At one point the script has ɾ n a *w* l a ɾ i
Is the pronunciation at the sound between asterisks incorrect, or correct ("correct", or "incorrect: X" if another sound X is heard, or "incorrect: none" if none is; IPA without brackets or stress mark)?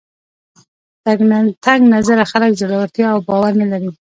incorrect: none